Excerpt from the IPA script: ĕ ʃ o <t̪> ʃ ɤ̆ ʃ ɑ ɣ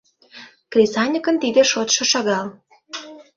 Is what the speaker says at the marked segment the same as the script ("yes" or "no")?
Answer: yes